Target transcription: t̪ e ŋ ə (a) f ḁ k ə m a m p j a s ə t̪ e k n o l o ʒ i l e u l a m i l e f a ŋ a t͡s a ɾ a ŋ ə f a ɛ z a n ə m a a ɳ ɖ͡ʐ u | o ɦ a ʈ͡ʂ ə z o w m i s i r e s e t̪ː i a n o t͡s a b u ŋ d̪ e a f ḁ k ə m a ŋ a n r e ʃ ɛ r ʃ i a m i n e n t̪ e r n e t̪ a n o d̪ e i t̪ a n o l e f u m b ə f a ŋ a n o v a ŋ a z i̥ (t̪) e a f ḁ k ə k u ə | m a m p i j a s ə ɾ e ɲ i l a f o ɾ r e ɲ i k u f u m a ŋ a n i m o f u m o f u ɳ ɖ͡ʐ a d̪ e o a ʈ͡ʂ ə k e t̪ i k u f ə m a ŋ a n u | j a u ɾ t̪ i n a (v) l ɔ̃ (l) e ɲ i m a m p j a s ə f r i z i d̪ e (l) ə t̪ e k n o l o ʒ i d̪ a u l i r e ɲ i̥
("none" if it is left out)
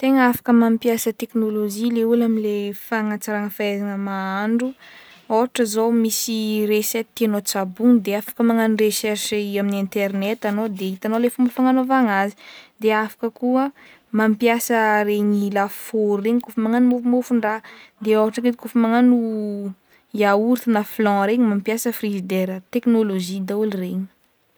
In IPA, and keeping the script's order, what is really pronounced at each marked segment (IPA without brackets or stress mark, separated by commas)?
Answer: a, d̪, f, ɾ, ɾ